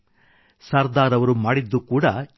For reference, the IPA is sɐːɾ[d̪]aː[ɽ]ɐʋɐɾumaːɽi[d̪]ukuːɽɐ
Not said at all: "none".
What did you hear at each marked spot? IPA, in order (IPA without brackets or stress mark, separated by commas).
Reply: d̪, ɾ, d̪ː